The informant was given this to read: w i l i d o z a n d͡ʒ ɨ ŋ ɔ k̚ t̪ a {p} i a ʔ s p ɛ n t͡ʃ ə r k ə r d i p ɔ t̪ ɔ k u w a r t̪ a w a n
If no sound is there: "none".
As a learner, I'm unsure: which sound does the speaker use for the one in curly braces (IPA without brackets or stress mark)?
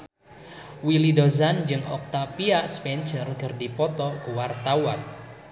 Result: p